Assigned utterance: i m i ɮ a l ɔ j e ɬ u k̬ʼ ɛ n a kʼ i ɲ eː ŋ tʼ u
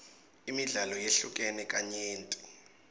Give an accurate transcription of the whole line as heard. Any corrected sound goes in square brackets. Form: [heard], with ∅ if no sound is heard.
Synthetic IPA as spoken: i m i ɮ a l ɔ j e ɬ u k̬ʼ ɛ n [ɛ] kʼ [a] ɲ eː [n] tʼ u